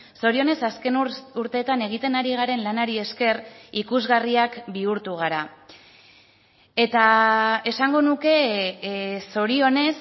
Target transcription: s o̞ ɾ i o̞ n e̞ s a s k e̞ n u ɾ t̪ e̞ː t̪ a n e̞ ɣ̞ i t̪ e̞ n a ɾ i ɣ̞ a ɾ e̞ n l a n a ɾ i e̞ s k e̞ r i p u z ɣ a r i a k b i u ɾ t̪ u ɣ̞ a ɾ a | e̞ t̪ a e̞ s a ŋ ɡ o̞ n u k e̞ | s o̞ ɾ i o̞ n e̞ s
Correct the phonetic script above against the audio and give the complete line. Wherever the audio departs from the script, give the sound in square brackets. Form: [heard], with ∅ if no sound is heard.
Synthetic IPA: s o̞ ɾ i o̞ n e̞ s a s k e̞ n u ɾ t̪ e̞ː t̪ a n e̞ ɣ̞ i t̪ e̞ n a ɾ i ɣ̞ a ɾ e̞ n l a n a ɾ i e̞ s k e̞ r i [k] u z ɣ a r i a k b i u ɾ t̪ u ɣ̞ a ɾ a | e̞ t̪ a e̞ s a ŋ ɡ o̞ n u k e̞ | s o̞ ɾ i o̞ n e̞ s